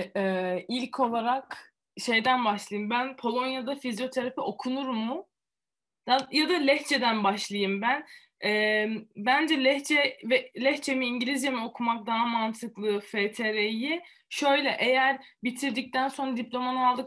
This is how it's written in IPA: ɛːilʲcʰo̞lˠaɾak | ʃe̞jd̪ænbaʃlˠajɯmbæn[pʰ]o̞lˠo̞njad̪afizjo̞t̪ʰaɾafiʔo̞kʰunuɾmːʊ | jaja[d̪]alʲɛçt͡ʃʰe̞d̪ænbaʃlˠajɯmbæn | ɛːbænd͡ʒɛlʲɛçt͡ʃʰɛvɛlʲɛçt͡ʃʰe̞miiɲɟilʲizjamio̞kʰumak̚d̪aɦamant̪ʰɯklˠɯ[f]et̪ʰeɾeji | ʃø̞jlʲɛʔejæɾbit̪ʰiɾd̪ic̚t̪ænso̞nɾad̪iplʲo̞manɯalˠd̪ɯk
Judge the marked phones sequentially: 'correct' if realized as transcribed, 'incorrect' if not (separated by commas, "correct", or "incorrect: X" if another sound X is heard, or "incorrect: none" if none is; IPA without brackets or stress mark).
correct, correct, correct